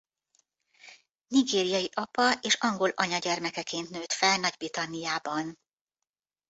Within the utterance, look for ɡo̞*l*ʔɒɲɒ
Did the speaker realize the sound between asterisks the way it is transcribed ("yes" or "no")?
yes